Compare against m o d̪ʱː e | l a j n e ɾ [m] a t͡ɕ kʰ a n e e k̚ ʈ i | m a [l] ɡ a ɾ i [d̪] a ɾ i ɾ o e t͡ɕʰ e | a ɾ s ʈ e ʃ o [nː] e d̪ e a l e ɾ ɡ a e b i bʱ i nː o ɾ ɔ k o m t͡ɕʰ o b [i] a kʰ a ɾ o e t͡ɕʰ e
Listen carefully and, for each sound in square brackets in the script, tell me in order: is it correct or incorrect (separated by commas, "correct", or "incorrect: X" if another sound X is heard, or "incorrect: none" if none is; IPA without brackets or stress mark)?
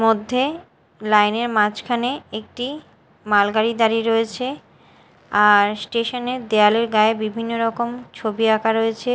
correct, correct, correct, incorrect: n, correct